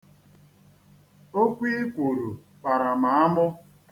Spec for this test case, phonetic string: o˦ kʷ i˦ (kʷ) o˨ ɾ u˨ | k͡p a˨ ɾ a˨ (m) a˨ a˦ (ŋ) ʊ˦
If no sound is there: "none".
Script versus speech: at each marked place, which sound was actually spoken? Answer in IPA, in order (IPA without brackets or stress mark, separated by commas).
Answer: kʷ, m, m